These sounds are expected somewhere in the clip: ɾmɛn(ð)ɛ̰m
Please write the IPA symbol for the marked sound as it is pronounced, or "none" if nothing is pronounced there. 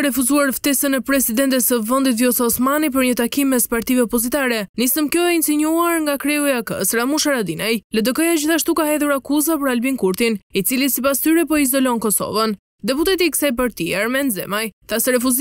z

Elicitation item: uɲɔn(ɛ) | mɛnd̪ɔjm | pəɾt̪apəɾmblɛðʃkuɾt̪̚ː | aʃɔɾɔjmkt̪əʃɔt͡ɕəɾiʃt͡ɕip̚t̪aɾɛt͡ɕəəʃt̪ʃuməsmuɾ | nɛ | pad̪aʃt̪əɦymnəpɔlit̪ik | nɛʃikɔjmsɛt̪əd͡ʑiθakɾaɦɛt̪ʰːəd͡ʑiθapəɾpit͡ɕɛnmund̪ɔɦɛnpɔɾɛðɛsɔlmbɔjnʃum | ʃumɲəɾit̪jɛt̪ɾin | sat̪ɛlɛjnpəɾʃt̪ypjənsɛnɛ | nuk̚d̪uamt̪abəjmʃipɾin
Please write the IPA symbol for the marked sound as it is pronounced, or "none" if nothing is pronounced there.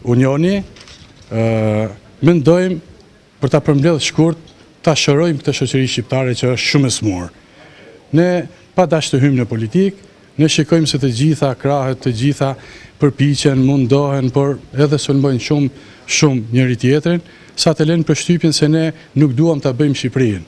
i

